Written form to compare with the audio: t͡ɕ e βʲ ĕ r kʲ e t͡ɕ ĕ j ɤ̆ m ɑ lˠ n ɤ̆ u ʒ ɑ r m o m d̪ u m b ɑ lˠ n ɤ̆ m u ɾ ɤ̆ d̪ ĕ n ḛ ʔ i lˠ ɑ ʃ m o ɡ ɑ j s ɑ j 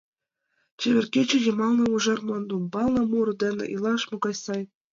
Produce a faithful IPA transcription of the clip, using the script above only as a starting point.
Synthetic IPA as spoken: t͡ɕ e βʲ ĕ r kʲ e t͡ɕ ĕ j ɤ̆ m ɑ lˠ n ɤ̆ u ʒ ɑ r m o n d̪ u m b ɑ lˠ n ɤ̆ m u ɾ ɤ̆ d̪ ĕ n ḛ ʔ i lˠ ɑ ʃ m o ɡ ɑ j s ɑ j